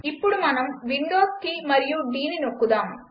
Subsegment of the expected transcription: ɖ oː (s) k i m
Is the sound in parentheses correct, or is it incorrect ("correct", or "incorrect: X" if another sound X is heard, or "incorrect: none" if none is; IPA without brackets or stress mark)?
correct